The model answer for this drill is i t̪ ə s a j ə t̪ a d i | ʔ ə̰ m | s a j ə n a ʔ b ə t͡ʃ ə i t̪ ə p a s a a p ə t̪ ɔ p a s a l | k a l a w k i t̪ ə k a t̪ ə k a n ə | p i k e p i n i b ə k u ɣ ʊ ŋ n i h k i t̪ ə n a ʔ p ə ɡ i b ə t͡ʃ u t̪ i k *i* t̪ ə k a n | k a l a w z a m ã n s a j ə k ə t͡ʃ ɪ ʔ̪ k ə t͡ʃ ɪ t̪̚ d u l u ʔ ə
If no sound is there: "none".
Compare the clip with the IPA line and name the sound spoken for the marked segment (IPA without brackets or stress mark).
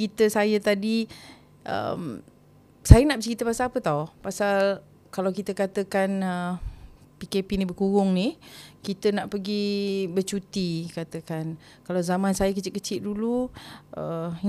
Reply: a